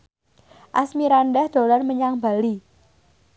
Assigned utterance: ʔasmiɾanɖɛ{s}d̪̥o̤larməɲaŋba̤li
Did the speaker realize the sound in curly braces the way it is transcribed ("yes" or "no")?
no